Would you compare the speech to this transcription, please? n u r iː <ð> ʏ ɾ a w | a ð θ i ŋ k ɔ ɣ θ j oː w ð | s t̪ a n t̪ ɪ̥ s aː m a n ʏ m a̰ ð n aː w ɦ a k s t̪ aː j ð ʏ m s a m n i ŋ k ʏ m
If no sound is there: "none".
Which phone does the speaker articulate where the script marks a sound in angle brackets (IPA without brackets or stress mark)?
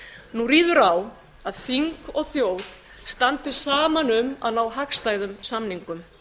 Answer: ð